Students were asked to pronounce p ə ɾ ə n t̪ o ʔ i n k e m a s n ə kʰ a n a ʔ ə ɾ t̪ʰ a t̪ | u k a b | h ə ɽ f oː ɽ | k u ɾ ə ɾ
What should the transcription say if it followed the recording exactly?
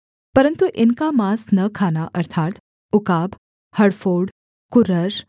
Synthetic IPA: p ə ɾ ə n t̪ u ʔ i n k a m a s n ə kʰ a n a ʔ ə ɾ t̪ʰ a t̪ | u k a b | h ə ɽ f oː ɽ | k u ɾ ə ɾ